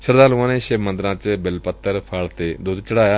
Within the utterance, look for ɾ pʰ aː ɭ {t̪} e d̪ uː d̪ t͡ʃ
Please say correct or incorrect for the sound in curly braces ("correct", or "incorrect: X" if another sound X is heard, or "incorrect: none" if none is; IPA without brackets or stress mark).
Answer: correct